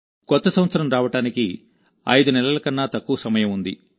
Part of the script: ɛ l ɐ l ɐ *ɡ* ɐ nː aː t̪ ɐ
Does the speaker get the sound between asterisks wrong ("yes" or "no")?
yes